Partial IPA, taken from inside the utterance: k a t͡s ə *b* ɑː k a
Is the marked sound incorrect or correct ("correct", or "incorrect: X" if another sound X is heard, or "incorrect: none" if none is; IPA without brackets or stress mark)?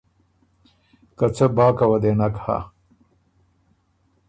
correct